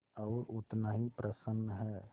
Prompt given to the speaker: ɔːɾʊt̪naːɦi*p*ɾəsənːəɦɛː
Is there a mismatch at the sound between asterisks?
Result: no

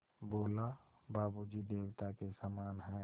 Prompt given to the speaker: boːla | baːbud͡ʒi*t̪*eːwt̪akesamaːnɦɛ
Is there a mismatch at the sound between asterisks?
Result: yes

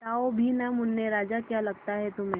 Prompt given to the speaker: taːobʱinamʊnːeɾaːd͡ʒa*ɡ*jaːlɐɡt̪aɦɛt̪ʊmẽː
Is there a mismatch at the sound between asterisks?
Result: yes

